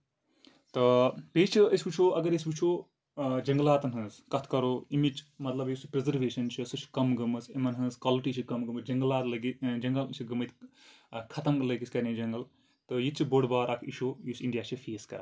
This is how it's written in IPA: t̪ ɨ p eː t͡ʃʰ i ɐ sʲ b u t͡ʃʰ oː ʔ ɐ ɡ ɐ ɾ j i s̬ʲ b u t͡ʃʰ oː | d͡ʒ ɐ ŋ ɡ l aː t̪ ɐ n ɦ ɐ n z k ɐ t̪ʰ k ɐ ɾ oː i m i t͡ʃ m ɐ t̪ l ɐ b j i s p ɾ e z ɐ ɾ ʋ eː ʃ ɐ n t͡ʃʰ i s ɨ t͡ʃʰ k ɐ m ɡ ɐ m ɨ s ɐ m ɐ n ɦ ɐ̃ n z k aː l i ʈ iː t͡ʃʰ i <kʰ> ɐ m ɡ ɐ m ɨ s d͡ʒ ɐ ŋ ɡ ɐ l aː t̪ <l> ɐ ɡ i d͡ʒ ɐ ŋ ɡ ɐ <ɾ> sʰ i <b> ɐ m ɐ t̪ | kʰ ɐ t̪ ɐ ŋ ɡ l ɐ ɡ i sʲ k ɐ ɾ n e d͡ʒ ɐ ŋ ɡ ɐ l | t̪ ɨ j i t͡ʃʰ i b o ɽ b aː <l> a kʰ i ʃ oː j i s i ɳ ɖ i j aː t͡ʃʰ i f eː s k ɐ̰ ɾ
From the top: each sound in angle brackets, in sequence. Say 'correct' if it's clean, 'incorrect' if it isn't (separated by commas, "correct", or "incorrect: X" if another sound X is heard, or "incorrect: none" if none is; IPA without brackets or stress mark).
incorrect: k, correct, incorrect: l, incorrect: ɡ, incorrect: ɾ